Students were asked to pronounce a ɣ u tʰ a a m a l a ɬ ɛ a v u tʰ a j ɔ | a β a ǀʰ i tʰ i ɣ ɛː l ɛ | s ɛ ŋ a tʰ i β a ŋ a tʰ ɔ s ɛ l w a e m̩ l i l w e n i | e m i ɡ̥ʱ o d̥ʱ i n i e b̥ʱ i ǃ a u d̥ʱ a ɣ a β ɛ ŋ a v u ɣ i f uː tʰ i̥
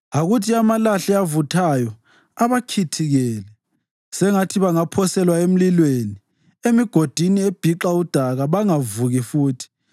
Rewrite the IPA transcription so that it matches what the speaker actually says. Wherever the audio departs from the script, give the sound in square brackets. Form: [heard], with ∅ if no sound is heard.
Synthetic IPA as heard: a ɣ u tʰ [i] a m a l a ɬ ɛ a v u tʰ a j ɔ | a β a [kʰ] i tʰ i ɣ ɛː l ɛ | s ɛ ŋ a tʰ i β a ŋ a [pʰ] ɔ s ɛ l w a e m̩ l i l w e n i | e m i ɡ̥ʱ o d̥ʱ i n i e b̥ʱ i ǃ a u d̥ʱ a ɣ a β [a] ŋ a v u ɣ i f uː tʰ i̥